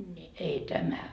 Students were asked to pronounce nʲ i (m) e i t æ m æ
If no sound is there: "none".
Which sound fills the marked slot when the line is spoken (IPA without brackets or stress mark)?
none